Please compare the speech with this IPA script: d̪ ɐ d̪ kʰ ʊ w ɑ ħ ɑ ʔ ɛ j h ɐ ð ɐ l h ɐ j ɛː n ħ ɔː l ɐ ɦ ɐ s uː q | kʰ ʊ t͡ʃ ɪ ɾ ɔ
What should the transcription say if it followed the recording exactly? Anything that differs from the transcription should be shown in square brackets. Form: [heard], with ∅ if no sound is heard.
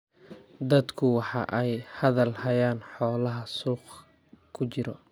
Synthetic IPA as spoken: d̪ ɐ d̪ kʰ ʊ w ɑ ħ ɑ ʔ ɛ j h ɐ ð ɐ l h ɐ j [aː] n ħ ɔː l ɐ ɦ ɐ s uː q | kʰ ʊ t͡ʃ ɪ ɾ ɔ